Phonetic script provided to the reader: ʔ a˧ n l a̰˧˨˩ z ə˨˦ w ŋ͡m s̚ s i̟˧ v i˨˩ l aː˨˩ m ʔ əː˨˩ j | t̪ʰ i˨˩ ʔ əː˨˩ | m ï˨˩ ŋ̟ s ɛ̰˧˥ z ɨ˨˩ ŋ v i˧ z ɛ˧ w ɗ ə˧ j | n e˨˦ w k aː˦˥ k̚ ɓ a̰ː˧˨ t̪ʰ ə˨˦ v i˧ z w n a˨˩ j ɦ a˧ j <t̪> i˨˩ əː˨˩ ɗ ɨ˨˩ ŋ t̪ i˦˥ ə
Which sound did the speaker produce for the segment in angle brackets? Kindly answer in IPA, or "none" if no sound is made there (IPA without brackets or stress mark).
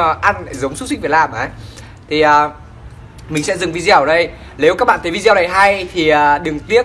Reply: t̪ʰ